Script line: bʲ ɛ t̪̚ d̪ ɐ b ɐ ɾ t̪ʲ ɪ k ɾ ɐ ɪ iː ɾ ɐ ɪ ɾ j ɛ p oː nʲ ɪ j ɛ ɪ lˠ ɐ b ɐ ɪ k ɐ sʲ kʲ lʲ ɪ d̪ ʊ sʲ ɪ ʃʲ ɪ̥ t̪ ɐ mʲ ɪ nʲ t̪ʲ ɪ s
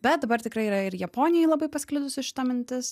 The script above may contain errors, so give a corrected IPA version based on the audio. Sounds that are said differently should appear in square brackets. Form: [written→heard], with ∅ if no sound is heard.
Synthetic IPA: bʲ ɛ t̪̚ d̪ ɐ b ɐ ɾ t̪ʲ ɪ k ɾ ɐ ɪ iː ɾ ɐ ɪ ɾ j ɛ p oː nʲ ɪ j ɛ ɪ lˠ ɐ b ɐ ɪ [k→p] ɐ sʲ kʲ lʲ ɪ d̪ ʊ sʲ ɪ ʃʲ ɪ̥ t̪ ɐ mʲ ɪ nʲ t̪ʲ ɪ s